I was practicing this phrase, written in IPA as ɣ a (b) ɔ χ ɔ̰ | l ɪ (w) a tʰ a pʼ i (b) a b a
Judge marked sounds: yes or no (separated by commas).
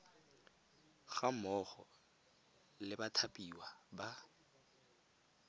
no, no, no